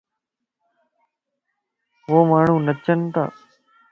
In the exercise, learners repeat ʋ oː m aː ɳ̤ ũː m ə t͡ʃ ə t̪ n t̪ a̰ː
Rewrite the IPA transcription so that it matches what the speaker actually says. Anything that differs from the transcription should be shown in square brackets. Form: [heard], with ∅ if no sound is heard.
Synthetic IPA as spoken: ʋ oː m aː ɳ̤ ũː [n] ə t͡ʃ ə [∅] n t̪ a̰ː